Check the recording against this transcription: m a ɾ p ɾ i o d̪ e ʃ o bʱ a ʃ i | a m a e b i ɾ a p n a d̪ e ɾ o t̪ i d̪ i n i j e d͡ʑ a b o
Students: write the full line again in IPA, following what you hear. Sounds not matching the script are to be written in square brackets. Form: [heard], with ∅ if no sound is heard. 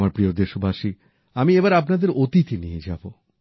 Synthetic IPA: m a ɾ p ɾ i o d̪ e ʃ o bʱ a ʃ i | a m [i] e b [a] ɾ a p n a d̪ e ɾ o t̪ i [t̪] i n i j e d͡ʑ a b o